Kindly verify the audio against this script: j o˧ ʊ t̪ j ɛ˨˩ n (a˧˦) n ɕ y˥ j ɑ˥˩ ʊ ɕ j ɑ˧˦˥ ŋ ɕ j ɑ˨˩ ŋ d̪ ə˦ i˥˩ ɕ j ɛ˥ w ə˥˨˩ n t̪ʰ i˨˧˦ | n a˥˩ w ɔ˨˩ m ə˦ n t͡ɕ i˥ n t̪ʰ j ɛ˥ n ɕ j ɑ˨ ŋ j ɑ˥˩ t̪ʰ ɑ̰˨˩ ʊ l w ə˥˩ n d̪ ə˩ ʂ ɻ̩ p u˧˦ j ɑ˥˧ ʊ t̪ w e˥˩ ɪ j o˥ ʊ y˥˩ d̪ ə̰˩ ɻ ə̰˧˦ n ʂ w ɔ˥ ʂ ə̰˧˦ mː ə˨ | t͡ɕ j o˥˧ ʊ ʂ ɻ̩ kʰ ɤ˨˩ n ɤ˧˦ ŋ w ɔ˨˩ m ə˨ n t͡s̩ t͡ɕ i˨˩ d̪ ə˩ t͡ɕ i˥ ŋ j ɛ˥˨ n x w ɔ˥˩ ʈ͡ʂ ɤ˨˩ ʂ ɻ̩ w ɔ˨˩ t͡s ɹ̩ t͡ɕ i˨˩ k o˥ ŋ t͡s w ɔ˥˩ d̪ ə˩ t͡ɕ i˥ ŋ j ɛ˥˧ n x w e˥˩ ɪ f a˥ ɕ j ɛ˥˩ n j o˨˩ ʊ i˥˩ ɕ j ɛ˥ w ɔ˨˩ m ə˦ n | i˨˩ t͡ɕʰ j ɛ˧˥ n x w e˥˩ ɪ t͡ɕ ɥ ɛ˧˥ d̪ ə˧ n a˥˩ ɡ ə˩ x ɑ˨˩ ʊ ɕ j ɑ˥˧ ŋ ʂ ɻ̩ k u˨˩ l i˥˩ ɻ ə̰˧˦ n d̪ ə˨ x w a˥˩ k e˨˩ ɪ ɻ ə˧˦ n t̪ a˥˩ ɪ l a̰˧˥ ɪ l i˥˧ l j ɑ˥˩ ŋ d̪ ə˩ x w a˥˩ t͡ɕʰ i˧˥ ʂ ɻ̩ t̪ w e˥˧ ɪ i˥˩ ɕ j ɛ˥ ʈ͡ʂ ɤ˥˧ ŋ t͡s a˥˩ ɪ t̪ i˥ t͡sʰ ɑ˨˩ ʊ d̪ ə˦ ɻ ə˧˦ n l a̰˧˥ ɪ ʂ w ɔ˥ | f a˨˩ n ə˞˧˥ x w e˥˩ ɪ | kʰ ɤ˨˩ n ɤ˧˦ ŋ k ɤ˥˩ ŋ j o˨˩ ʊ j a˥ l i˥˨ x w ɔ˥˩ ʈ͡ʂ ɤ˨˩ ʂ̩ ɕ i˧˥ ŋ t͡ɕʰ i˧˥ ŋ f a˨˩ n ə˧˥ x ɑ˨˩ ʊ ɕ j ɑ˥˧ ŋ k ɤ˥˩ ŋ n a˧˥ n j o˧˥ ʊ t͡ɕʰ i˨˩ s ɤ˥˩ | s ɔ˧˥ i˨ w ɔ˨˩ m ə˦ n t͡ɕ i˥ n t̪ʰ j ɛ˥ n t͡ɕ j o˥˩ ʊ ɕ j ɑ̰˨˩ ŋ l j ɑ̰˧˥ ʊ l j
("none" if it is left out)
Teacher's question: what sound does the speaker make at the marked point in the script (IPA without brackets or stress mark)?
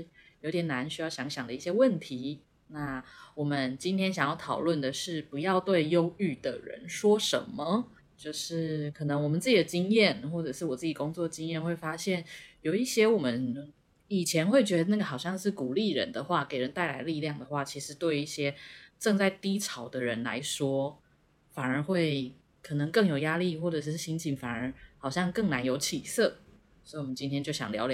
a˧˦